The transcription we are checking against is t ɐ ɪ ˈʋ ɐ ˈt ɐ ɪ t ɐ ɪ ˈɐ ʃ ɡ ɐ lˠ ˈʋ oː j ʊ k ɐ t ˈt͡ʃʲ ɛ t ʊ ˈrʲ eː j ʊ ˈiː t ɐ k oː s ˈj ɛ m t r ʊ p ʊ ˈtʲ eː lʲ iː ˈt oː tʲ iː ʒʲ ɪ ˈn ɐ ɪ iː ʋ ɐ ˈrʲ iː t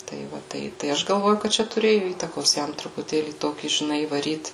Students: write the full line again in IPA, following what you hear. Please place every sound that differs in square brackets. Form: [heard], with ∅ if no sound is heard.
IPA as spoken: t ɐ ɪ ˈʋ ɐ ˈt ɐ ɪ t ɐ ɪ ˈɐ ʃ ɡ ɐ lˠ ˈʋ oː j ʊ k ɐ t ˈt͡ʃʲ ɛ t ʊ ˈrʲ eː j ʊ ˈiː t ɐ k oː s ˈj ɛ m t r ʊ p ʊ ˈtʲ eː lʲ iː ˈt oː [kʲ] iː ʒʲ ɪ ˈn ɐ ɪ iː ʋ ɐ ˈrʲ iː t